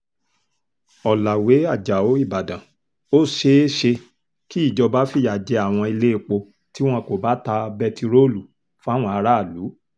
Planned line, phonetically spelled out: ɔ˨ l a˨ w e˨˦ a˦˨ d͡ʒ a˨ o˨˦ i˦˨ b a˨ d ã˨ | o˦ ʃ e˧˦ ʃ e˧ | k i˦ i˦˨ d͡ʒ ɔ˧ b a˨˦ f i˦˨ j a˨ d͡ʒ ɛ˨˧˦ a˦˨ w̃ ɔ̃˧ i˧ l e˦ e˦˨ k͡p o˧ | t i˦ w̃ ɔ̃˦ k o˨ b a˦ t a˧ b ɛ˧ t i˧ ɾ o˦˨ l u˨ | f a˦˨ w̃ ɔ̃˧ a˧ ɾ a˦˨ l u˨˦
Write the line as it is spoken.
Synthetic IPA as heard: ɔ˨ l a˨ w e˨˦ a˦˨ d͡ʒ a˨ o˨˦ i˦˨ b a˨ d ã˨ | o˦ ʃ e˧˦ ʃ e˧ | k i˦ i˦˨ d͡ʒ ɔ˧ b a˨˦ f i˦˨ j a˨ d͡ʒ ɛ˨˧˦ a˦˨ w̃ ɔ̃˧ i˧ l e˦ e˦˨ k͡p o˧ | t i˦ w̃ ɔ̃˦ k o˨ b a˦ t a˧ b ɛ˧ t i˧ ɾ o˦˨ l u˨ | f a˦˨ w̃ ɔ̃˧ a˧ ɾ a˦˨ l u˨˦